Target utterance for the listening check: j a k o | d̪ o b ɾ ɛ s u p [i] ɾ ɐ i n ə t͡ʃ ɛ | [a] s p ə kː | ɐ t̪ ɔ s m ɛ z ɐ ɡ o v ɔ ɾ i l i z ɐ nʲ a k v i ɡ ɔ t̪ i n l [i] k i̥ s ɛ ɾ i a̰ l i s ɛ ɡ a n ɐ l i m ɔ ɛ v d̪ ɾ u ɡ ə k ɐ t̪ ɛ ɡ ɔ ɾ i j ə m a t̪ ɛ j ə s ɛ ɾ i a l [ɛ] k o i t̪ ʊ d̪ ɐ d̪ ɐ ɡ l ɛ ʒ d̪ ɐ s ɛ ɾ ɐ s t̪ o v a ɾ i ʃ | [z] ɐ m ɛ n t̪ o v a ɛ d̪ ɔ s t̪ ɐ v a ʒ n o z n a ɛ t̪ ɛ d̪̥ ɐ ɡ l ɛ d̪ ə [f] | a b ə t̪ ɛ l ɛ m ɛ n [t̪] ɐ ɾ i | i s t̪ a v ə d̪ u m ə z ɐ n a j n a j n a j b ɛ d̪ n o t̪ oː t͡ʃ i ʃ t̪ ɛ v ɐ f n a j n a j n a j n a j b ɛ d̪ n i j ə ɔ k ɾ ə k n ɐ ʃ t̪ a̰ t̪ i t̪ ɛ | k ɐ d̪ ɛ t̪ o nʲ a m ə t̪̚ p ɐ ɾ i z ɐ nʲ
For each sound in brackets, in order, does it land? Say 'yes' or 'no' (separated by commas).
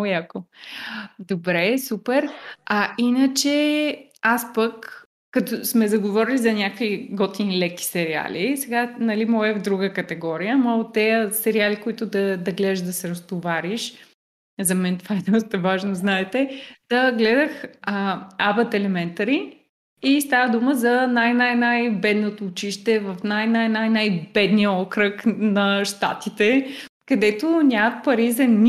no, yes, no, no, yes, no, yes